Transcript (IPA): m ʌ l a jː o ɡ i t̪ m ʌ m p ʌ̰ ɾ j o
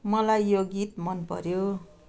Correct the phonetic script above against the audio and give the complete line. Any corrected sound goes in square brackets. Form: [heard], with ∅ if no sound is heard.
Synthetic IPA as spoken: m ʌ l a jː o ɡ i t̪ m ʌ [n] p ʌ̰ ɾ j o

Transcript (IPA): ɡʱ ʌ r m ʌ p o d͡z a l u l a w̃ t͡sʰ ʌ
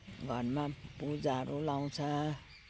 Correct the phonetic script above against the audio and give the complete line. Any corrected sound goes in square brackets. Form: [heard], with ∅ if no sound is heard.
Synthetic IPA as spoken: ɡʱ ʌ r m [a] p [u] d͡z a [ɾ] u l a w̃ t͡sʰ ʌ

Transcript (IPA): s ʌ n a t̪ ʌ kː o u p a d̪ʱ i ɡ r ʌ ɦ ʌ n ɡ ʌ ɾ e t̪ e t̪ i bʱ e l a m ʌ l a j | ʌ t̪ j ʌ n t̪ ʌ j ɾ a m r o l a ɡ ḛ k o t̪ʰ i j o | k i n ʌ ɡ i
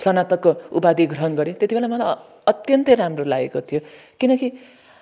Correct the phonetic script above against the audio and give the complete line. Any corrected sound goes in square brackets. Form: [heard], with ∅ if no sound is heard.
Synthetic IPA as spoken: s ʌ n a t̪ ʌ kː o u p a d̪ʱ i ɡ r ʌ ɦ ʌ n ɡ ʌ ɾ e t̪ e t̪ i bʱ e l a m ʌ l a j | ʌ t̪ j ʌ n t̪ ʌ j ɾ a m r o l a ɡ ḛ k o t̪ʰ i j o | k i n ʌ [k] i

